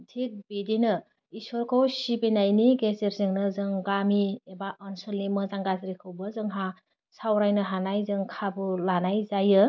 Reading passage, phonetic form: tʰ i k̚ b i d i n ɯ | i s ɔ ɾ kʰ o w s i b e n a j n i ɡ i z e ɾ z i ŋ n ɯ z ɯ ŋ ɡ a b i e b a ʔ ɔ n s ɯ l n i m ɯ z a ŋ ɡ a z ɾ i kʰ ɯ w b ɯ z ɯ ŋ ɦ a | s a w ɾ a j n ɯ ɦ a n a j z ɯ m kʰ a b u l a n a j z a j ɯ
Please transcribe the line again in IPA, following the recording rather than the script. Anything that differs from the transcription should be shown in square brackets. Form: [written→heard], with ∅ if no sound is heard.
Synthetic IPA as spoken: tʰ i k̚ b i d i n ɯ | i s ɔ ɾ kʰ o w s i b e n a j n i ɡ [i→e] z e ɾ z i ŋ n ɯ z ɯ ŋ ɡ a [b→m] i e b a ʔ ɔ n s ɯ l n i m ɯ z a ŋ ɡ a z ɾ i kʰ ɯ w b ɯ z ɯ ŋ ɦ a | s a w ɾ a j n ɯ ɦ a n a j z ɯ [m→ŋ] kʰ a b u l a n a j z a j ɯ